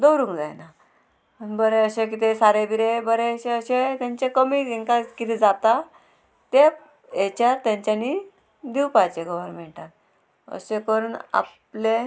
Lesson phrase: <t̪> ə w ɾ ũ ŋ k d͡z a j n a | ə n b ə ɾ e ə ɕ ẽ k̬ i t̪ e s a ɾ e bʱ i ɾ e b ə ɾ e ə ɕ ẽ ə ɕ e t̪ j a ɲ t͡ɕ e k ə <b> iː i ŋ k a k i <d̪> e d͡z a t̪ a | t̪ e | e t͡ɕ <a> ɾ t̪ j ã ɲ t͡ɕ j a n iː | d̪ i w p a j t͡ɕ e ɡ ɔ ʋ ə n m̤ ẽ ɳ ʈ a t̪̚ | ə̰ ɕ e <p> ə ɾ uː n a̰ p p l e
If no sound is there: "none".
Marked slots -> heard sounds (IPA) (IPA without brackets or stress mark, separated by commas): d̪, m, t̪, a, k